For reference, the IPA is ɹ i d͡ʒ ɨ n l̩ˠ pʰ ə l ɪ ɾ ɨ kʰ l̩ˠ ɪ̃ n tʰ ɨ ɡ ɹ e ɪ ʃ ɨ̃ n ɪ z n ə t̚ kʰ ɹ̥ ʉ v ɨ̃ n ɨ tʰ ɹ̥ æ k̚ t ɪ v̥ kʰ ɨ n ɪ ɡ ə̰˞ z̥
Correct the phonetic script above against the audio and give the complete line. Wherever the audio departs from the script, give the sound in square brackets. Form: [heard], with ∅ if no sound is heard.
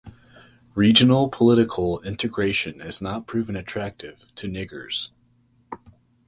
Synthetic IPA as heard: ɹ i d͡ʒ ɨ n l̩ˠ pʰ ə l ɪ ɾ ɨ kʰ l̩ˠ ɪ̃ n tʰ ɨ ɡ ɹ e ɪ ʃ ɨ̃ n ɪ z n ə t̚ [pʰ] ɹ̥ ʉ v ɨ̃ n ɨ tʰ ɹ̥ æ k̚ t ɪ v̥ [tʰ] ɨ n ɪ ɡ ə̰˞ z̥